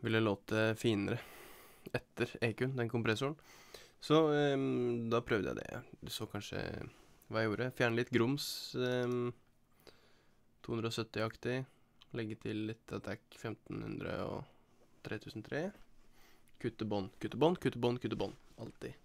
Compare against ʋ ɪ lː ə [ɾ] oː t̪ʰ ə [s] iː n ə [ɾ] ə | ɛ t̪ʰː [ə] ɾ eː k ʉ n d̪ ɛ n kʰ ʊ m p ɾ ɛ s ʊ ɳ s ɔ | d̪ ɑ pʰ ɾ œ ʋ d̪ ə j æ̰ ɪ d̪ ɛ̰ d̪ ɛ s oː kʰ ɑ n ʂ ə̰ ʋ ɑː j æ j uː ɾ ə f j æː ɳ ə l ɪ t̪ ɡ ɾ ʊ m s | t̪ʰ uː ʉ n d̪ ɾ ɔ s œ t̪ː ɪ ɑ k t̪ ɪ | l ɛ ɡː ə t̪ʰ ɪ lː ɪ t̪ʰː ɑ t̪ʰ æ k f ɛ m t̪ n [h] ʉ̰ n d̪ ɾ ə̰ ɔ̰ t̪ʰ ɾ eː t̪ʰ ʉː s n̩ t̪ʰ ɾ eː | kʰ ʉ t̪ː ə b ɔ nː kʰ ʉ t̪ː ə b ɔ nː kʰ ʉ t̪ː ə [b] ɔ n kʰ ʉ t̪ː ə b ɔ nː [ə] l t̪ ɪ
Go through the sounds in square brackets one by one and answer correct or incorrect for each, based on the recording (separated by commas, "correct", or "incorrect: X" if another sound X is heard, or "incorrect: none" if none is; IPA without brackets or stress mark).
incorrect: l, incorrect: f, correct, correct, correct, correct, incorrect: ɑ